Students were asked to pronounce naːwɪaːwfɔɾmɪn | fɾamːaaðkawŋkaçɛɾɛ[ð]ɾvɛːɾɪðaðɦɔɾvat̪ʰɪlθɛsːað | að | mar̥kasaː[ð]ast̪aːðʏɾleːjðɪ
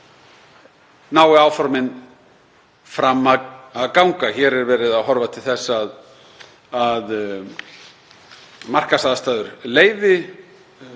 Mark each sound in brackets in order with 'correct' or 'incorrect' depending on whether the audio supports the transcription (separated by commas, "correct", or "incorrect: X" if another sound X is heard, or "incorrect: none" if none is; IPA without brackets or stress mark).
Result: incorrect: none, correct